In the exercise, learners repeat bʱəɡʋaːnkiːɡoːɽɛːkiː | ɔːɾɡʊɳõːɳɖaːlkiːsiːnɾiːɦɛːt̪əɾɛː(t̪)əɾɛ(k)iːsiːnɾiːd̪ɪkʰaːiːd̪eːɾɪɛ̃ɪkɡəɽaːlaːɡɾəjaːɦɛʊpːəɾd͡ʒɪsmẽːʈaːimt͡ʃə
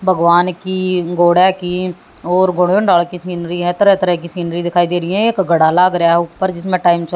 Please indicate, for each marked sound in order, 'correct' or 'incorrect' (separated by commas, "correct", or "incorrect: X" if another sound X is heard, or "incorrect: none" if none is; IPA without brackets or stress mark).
correct, correct